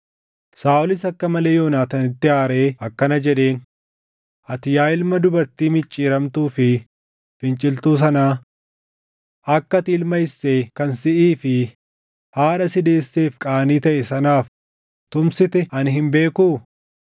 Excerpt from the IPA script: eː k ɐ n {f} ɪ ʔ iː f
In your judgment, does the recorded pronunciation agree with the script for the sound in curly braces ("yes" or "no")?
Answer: no